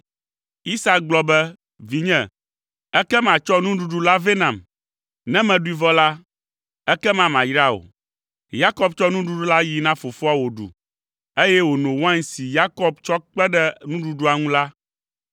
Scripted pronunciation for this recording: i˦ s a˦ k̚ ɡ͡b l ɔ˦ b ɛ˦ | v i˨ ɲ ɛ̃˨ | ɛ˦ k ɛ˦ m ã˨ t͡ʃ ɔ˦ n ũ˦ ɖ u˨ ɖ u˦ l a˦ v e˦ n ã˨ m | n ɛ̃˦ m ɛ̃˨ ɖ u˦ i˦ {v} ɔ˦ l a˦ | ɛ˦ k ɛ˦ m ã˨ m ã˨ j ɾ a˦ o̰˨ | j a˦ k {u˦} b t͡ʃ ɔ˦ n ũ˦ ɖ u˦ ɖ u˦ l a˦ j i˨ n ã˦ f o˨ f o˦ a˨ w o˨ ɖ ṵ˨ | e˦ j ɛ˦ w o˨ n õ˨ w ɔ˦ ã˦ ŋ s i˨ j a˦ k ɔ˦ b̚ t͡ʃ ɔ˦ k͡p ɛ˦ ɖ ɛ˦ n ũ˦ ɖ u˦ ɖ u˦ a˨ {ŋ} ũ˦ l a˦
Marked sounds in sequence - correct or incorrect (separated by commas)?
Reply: correct, incorrect, correct